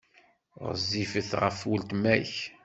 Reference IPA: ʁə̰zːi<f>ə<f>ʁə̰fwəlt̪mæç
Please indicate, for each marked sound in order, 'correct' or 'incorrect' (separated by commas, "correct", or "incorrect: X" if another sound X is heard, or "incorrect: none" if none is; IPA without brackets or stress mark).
correct, incorrect: θ